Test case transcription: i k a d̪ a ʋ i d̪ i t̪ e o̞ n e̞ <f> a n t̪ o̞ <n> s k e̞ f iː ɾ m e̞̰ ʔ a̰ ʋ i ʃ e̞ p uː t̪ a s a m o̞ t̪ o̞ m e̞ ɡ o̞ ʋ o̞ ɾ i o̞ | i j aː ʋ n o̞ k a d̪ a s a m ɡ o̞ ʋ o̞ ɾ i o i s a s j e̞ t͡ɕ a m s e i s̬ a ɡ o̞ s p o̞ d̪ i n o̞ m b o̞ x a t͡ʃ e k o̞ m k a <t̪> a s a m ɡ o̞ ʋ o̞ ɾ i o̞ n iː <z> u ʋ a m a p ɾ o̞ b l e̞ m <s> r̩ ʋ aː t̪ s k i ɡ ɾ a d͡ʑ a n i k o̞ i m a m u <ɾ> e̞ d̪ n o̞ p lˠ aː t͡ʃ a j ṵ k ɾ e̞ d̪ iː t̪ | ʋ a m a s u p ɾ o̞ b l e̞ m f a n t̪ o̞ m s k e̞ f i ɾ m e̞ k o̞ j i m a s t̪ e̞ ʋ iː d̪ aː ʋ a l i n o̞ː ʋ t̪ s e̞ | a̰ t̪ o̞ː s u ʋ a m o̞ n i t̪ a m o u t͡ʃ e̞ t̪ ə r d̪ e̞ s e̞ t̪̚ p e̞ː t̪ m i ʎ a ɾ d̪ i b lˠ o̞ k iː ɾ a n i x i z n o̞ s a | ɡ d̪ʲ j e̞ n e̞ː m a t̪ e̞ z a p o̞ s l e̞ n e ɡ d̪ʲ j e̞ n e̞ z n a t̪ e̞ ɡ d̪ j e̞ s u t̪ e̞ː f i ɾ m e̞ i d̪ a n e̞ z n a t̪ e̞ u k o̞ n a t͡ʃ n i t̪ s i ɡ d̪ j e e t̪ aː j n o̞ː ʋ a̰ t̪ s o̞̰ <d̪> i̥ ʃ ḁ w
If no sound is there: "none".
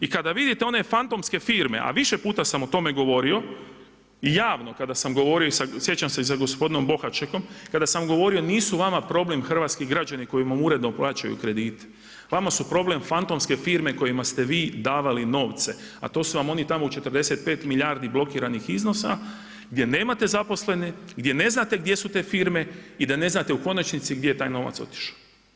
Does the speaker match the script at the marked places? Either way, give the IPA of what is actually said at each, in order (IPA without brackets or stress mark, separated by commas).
f, m, d̪, s, x, ɾ, t̪